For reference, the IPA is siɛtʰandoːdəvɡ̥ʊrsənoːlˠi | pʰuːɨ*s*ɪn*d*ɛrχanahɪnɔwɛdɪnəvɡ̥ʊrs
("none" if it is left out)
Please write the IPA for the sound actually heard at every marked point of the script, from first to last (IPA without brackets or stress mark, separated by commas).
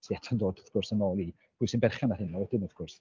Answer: s, b